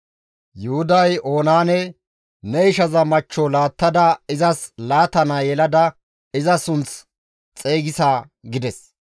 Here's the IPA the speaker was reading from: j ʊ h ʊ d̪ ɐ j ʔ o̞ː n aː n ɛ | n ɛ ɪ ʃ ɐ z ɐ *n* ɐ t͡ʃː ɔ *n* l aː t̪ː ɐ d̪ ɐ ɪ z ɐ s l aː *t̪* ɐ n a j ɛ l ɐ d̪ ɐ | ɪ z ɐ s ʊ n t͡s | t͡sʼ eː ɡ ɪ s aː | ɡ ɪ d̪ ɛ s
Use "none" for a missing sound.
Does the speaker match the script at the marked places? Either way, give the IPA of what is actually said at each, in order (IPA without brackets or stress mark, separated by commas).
m, none, t̪